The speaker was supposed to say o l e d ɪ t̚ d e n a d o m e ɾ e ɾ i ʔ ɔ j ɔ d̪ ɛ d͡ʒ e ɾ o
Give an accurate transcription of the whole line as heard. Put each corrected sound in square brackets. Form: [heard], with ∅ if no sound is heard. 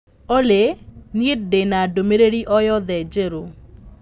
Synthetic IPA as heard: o l e [n] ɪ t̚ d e n a d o m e ɾ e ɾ i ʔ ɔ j ɔ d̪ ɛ d͡ʒ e ɾ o

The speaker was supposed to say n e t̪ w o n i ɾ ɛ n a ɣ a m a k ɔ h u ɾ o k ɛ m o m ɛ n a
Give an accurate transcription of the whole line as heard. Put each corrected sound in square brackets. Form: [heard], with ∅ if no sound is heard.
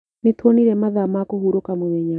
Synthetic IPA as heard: n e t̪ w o n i ɾ ɛ [m] a [ð] a m a k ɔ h u ɾ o k [a] m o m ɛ [ɲ] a

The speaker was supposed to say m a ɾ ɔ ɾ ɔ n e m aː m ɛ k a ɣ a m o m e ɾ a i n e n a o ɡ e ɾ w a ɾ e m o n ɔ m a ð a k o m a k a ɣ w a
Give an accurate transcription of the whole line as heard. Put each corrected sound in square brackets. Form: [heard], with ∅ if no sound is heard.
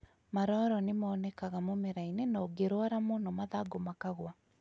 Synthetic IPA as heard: m a ɾ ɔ ɾ ɔ n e m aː [n] ɛ k a ɣ a m o m e ɾ a i n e n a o ɡ e ɾ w a ɾ [a] m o n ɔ m a ð a [ɡ] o m a k a ɣ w a

